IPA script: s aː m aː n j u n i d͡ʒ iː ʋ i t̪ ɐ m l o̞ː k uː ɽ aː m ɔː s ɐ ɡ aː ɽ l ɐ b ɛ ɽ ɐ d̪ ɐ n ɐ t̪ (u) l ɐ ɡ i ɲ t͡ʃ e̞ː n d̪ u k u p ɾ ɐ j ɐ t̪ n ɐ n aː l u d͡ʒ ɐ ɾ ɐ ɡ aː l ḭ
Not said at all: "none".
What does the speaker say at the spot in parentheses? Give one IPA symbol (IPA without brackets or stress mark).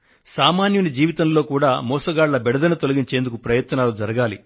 o